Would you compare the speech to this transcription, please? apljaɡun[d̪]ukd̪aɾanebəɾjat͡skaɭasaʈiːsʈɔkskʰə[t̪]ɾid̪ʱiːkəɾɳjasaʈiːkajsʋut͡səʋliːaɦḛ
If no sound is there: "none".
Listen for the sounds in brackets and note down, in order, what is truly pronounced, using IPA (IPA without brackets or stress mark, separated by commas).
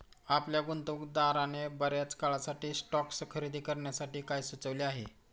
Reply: t̪, none